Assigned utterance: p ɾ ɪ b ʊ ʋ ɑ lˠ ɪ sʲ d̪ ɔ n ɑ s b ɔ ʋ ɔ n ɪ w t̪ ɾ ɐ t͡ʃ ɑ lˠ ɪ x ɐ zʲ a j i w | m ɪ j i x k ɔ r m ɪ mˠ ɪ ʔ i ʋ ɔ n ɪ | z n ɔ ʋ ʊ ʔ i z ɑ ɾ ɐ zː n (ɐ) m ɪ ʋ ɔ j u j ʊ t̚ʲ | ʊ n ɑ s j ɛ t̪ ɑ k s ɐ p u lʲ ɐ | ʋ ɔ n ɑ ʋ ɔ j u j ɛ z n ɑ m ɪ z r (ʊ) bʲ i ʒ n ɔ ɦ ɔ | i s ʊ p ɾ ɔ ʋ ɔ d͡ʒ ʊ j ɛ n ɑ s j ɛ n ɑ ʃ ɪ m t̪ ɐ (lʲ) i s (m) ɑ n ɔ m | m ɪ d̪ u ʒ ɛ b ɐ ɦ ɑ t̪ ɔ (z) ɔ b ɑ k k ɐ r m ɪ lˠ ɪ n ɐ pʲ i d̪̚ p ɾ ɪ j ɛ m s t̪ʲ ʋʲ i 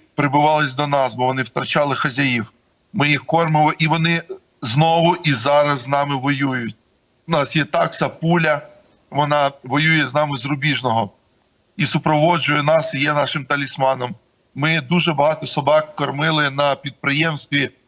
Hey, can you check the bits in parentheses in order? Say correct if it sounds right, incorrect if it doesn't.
incorrect: ɑ, correct, correct, correct, incorrect: s

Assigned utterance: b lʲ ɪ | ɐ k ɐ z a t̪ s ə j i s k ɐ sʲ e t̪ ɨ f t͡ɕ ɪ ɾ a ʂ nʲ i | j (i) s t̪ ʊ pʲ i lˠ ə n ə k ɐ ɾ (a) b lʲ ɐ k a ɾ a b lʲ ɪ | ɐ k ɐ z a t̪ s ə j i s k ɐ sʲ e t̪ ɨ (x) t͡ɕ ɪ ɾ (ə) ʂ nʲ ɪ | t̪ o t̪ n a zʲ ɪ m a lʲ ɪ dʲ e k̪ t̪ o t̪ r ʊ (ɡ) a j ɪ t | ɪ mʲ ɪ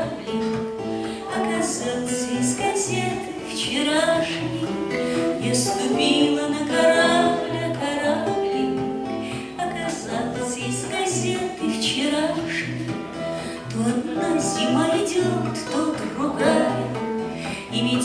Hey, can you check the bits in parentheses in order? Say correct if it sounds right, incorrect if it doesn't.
incorrect: a, correct, incorrect: f, incorrect: a, correct

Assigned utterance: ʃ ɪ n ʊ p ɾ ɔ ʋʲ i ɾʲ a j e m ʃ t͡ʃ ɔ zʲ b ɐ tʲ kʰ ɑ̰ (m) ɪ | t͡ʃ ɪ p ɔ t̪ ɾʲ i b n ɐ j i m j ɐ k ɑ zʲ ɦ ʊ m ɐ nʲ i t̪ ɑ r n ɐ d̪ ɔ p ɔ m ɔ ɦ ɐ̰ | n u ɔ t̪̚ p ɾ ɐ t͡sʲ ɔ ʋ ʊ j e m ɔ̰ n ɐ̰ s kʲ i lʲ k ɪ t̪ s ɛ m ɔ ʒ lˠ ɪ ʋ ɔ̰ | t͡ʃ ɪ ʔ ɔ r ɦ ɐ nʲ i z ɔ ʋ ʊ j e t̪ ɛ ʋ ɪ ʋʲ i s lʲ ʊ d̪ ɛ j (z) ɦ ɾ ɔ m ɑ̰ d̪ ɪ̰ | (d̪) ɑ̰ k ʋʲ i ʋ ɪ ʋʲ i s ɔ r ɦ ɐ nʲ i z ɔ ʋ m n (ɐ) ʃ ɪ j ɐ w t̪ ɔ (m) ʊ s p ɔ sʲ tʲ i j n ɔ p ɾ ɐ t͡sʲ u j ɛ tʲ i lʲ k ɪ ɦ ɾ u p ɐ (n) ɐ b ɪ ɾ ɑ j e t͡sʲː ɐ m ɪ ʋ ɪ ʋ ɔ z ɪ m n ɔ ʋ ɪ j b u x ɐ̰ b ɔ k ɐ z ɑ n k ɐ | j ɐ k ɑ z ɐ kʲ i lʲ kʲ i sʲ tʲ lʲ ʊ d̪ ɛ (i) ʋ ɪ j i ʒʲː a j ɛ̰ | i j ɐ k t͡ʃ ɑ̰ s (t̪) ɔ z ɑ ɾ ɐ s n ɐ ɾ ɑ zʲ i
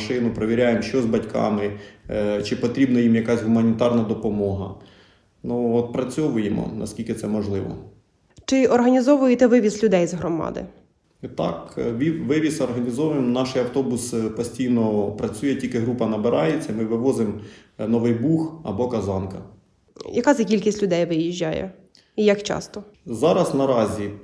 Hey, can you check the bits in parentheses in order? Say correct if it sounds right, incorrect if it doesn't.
correct, correct, incorrect: t̪, incorrect: ɑ, incorrect: b, correct, incorrect: j, correct

